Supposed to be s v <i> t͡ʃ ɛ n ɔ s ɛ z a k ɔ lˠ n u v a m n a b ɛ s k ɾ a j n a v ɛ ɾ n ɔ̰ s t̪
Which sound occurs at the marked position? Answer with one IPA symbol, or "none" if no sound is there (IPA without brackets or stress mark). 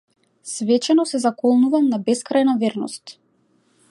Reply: ɛ